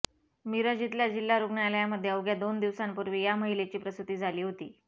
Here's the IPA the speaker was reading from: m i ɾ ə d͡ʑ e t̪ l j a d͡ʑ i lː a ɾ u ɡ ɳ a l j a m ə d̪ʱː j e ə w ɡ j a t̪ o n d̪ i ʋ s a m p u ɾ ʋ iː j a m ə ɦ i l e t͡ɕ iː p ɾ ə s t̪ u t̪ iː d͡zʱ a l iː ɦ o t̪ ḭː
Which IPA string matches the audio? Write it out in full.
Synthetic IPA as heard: m i ɾ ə d͡ʑ i t̪ l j a d͡ʑ i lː a ɾ u ɡ ɳ a l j a m ə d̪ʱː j e ə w ɡ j a d̪ o n d̪ i ʋ s a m p u ɾ ʋ iː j a m ə ɦ i l e t͡ɕ iː p ɾ ə s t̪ u t̪ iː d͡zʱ a l iː ɦ o t̪ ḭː